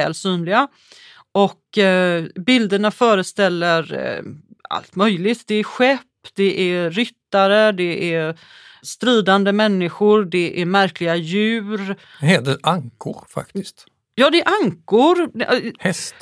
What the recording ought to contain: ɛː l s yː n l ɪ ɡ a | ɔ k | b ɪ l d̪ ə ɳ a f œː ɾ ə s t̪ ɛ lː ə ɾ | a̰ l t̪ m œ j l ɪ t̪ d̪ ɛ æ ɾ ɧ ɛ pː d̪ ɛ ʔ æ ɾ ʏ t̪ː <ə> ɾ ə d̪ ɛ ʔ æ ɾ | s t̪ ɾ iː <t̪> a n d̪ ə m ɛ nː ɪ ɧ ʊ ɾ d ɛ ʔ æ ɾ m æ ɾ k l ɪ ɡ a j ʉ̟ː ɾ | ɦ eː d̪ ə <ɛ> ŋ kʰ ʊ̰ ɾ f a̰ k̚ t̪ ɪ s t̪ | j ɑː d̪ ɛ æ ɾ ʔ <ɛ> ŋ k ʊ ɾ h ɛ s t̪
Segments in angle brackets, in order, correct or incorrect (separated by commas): incorrect, incorrect, incorrect, incorrect